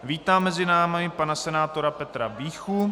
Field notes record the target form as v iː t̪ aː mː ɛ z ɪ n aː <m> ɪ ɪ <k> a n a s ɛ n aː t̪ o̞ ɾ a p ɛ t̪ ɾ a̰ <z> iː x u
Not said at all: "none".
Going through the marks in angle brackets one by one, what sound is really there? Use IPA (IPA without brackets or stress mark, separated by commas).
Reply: m, p, v